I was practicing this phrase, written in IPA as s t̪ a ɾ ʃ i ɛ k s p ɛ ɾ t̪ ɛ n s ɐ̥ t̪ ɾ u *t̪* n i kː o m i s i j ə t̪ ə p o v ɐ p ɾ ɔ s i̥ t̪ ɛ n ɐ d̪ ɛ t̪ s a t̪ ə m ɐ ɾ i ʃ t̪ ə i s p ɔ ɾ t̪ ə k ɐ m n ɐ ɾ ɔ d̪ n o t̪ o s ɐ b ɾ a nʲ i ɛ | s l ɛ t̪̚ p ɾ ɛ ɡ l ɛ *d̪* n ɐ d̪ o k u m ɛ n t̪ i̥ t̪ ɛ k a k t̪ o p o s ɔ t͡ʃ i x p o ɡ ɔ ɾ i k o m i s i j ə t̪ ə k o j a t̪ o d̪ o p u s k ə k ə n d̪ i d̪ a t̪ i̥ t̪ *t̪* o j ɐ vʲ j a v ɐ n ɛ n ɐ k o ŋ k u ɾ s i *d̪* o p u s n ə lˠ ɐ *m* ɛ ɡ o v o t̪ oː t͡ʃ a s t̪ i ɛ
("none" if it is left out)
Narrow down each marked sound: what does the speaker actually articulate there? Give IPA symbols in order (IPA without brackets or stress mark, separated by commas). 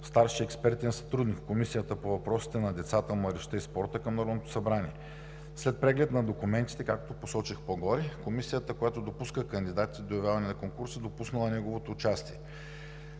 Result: d̪, t̪, d̪, d̪, n